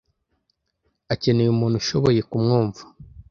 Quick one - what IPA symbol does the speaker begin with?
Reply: a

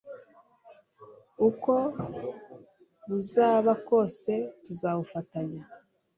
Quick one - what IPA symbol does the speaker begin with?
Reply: u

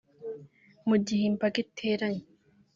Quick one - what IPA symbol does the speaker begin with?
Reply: m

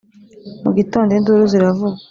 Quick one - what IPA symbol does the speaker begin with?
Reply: m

